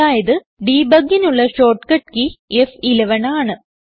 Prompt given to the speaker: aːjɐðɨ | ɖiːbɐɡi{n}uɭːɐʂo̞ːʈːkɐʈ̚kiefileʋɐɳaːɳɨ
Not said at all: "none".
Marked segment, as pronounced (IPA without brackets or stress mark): n